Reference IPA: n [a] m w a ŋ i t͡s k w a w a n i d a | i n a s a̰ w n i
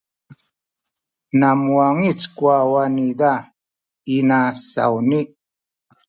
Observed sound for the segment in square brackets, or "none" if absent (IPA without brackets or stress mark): a